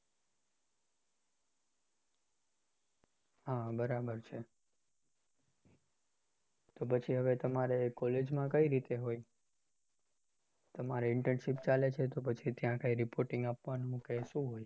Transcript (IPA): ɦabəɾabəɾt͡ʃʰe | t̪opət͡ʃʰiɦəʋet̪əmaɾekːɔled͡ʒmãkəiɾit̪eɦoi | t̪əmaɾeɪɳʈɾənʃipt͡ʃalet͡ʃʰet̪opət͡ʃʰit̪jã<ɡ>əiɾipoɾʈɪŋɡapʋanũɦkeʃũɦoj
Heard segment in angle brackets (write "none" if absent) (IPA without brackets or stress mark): k